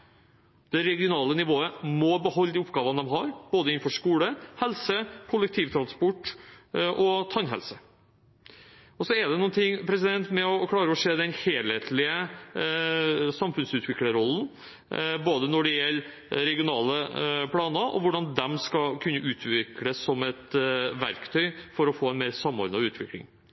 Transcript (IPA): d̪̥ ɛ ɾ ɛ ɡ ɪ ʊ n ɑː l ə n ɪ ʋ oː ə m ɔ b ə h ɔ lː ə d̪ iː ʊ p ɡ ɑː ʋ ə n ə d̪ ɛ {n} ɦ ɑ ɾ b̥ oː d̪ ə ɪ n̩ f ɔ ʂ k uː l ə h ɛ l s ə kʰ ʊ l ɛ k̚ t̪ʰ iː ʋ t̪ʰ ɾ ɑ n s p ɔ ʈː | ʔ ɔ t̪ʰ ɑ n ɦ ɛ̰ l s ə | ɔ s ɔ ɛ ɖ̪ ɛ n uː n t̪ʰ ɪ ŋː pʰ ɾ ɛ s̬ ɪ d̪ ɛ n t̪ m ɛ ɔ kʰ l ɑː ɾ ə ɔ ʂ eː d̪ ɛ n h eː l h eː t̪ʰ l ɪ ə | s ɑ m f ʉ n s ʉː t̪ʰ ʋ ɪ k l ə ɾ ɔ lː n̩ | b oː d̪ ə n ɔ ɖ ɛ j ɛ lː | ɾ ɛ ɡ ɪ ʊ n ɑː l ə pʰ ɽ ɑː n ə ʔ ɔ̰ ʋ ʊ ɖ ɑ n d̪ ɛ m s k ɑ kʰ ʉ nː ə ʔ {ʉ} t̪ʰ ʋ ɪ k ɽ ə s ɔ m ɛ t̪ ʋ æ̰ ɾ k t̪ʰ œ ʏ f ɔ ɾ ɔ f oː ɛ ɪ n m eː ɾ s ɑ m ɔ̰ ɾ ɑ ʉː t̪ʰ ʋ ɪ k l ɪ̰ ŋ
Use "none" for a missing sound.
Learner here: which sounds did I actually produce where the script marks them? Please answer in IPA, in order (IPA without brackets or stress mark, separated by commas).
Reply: m, ʉː